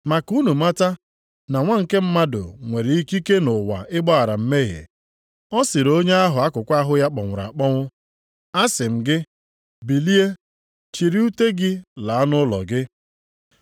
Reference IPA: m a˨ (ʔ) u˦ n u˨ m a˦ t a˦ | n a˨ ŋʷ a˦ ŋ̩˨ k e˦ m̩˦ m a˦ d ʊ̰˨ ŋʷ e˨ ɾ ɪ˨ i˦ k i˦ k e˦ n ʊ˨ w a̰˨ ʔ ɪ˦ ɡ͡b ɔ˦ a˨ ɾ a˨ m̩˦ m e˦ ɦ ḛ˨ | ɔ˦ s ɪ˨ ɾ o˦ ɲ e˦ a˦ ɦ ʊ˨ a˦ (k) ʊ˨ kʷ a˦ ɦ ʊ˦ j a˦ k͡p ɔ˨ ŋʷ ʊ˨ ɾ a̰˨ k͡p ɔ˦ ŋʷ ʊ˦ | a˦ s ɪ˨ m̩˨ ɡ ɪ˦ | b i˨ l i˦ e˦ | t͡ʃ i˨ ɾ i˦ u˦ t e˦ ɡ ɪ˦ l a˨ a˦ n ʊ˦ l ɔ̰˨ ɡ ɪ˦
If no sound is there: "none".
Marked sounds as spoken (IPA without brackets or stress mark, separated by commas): k, k